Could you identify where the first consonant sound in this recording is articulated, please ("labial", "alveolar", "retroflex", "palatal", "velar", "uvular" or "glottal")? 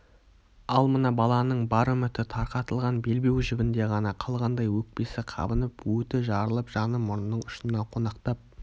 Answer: alveolar